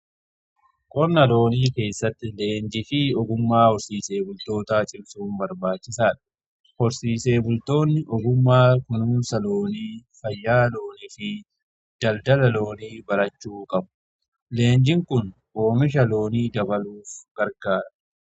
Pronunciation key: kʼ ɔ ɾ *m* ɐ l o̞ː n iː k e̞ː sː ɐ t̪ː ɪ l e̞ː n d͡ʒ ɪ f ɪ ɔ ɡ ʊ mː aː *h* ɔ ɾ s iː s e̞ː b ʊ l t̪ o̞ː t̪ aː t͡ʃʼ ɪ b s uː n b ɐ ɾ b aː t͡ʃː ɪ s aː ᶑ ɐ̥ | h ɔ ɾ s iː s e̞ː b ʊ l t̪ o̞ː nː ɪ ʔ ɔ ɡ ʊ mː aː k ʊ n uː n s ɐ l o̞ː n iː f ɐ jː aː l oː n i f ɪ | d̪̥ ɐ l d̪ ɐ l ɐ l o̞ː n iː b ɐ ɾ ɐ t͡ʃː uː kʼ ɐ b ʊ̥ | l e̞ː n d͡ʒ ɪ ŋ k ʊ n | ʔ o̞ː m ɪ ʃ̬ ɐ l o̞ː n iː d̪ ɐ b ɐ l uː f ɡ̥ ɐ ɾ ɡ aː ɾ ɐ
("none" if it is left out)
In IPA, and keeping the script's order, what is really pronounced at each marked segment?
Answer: n, h

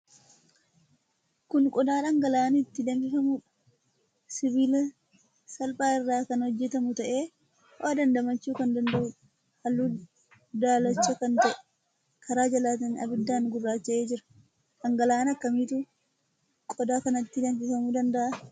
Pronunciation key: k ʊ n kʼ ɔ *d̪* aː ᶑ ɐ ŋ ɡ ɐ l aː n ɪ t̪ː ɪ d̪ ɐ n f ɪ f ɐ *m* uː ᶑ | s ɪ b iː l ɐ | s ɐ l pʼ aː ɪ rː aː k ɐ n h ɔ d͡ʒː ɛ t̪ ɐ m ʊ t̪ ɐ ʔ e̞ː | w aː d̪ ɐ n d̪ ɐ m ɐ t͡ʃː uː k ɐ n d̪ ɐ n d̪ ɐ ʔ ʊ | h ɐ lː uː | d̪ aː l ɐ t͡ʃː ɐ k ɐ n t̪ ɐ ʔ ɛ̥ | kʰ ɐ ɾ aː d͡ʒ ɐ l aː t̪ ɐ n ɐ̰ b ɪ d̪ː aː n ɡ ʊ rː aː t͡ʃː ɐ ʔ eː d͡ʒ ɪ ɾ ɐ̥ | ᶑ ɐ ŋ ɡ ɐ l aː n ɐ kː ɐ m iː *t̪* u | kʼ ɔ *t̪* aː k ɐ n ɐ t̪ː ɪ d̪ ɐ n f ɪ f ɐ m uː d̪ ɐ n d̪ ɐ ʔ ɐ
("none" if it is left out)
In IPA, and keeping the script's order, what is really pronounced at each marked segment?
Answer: d̪, m, t̪, d̪

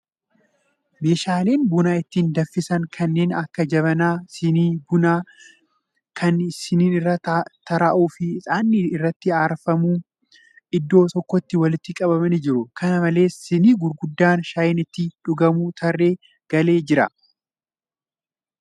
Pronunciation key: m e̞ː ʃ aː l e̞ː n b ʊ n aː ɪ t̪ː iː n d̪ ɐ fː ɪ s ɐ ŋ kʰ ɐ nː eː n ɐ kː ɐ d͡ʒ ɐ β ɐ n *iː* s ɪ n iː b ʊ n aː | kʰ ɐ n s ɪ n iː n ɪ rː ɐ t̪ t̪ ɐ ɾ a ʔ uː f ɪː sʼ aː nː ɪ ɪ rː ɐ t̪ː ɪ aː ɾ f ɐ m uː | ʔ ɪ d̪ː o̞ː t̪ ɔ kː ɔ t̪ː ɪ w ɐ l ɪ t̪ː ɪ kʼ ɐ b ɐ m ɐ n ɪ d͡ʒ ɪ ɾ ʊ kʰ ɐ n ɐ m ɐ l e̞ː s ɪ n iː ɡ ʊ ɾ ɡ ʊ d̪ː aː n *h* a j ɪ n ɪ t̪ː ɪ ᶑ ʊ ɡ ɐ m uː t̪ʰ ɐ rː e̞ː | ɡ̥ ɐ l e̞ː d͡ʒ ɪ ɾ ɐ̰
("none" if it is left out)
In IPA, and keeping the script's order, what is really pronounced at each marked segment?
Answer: aː, ʃ

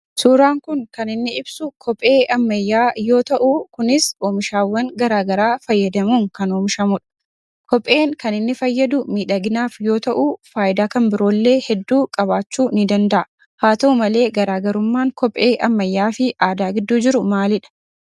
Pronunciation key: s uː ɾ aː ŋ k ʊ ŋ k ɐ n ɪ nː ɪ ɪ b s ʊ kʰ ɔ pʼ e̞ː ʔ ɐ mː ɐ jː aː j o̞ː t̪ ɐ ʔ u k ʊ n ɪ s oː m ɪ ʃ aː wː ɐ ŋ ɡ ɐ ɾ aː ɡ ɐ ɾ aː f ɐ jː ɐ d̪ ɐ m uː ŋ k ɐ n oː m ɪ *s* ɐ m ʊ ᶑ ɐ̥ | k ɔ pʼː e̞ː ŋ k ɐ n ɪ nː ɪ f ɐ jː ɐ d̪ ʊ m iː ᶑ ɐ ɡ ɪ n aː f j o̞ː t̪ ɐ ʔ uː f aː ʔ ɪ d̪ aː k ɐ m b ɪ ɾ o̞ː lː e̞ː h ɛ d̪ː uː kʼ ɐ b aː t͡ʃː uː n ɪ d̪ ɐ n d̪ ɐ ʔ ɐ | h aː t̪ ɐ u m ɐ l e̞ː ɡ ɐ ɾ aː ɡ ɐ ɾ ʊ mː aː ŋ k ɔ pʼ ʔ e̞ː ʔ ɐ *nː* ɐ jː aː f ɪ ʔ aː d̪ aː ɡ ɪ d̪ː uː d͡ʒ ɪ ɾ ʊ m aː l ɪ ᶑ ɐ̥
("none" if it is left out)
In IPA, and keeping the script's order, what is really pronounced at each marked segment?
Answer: ʃ, mː

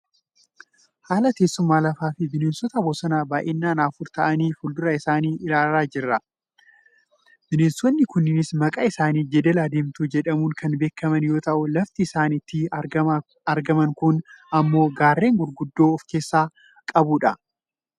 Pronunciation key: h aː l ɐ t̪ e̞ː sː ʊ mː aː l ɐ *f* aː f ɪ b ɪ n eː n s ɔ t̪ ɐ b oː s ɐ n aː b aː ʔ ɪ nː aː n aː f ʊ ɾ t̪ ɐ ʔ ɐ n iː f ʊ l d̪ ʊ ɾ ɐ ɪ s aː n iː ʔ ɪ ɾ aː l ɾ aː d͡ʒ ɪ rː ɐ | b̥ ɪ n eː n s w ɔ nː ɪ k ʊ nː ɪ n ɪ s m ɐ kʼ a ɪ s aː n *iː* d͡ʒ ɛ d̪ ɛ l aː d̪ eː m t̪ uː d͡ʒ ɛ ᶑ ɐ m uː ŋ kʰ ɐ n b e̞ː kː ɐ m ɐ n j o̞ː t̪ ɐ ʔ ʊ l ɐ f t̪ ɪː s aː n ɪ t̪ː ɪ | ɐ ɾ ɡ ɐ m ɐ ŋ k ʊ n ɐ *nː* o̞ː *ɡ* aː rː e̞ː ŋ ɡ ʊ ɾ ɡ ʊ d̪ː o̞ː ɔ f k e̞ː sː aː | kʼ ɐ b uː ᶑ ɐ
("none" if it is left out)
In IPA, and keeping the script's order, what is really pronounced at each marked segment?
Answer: f, iː, mː, ɡ

